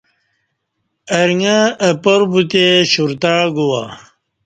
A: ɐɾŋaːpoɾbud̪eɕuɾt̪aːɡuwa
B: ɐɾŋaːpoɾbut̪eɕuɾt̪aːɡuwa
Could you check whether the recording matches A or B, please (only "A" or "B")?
B